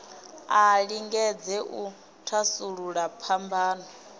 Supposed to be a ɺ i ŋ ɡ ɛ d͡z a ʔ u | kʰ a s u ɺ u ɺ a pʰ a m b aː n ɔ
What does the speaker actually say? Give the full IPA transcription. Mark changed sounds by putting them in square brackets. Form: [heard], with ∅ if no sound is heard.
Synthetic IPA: a ɺ i ŋ ɡ ɛ d͡z [ɛ] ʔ u | [tʰ] a s u ɺ u ɺ a pʰ a m b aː n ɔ